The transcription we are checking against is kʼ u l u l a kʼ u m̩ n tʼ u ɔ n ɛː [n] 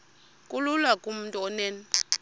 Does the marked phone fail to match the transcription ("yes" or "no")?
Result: no